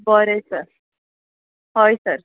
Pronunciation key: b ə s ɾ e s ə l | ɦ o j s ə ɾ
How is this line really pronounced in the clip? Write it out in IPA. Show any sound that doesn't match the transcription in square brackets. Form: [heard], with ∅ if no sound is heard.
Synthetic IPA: b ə [∅] ɾ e s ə [ɾ] | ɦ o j s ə ɾ

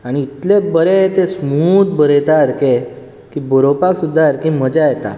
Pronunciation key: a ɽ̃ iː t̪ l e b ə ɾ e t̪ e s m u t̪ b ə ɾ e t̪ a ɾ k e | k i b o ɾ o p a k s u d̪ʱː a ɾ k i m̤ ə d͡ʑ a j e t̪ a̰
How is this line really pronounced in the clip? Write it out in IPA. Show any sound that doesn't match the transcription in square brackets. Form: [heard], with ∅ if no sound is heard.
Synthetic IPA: a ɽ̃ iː t̪ l e b ə ɾ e t̪ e s m u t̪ b ə ɾ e t̪ a ɾ k e | k i b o ɾ o p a k s u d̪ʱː a ɾ k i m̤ ə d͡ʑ a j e t̪ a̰

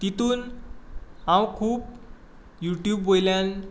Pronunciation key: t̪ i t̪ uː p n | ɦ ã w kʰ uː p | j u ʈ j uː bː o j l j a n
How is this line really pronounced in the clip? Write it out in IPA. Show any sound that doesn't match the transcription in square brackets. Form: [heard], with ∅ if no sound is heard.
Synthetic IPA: t̪ i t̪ uː [∅] n | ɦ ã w kʰ uː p | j u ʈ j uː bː o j l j a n

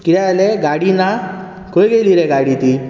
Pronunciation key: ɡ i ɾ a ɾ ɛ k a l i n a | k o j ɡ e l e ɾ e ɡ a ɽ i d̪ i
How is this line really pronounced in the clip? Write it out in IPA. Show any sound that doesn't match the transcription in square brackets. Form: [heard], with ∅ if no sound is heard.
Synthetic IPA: [k] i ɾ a [l] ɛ [ɡ] a [ɽ] i n a | k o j ɡ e l [i] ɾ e ɡ a ɽ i [t̪] i

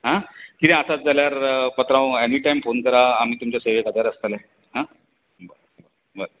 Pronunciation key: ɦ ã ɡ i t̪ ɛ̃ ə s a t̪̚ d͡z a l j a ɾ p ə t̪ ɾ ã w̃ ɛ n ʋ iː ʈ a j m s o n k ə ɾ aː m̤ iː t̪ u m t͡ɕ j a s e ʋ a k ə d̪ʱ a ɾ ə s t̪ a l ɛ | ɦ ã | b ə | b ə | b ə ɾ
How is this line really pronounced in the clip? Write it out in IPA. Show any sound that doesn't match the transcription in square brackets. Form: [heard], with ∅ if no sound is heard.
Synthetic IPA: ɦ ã [k] i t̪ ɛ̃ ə s a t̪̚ d͡z a l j a ɾ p ə t̪ ɾ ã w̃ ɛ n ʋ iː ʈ a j m [f] o n k ə ɾ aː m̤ iː t̪ u m t͡ɕ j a s e ʋ [e] k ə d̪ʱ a ɾ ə s t̪ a l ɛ | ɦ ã | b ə | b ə | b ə ɾ

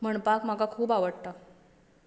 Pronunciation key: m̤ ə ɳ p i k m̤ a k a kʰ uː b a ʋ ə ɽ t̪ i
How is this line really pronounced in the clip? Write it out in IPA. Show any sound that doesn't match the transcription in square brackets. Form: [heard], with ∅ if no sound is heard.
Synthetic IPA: m̤ ə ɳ p [a] k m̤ a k a kʰ uː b a ʋ ə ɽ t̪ [a]

